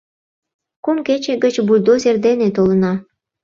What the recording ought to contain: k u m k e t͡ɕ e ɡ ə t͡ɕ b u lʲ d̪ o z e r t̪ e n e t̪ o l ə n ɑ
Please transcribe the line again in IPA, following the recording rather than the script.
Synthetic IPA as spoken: k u m k e t͡ɕ e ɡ ə t͡ɕ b u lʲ d̪ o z e r d̪ e n e t̪ o l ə n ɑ